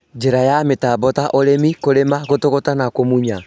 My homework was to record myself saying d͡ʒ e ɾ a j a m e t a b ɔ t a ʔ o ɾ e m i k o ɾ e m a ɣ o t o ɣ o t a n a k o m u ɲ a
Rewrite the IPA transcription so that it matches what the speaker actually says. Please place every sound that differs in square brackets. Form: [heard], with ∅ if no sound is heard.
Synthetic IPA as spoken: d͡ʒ e ɾ a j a m e t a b ɔ t a ʔ o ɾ e m i k o ɾ e m a ɣ o t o ɣ o t a n a k o m u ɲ a